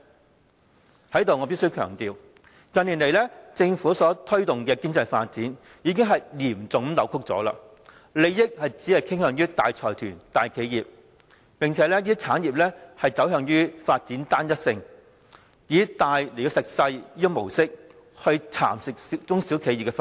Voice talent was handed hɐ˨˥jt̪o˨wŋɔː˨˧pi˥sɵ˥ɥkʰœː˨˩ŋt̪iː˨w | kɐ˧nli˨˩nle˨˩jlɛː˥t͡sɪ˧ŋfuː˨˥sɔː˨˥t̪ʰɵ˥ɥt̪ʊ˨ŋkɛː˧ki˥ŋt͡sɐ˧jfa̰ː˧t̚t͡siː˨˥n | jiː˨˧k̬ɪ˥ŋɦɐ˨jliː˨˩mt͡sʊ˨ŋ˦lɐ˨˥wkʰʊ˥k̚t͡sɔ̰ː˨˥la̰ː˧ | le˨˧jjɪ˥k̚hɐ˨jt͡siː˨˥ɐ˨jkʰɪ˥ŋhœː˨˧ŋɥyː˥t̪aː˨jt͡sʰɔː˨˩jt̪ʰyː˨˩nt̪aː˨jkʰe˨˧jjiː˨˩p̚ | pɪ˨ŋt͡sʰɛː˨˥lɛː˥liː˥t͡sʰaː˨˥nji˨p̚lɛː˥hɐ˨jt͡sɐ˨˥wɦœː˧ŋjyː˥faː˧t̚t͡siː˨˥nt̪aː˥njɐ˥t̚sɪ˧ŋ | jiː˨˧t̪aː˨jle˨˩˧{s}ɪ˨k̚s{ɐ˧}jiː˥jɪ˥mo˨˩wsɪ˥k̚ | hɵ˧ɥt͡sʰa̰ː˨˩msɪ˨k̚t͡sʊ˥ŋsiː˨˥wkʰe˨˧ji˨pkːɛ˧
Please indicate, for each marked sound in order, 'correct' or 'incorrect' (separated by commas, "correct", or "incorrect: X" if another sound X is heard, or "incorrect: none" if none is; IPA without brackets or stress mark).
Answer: correct, correct